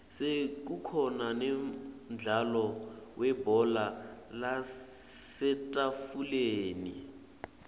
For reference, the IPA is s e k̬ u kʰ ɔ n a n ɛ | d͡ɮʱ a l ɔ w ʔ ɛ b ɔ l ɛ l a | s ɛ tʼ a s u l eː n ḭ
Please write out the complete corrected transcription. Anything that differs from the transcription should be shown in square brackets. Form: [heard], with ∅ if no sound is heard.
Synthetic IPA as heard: s e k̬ u kʰ ɔ n a n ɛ | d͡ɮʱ a l ɔ w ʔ ɛ b ɔ l [a] l a | s ɛ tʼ a [f] u l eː n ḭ